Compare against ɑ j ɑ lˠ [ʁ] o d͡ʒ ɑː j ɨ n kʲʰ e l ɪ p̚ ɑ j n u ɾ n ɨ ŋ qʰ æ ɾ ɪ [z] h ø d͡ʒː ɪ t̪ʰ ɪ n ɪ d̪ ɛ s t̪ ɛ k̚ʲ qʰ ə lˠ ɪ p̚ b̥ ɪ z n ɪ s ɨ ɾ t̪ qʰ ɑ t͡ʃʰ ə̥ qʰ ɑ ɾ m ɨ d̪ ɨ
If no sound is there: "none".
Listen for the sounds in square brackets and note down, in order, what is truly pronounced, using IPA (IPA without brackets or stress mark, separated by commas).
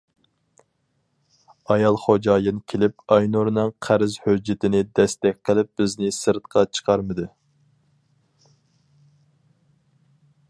χ, z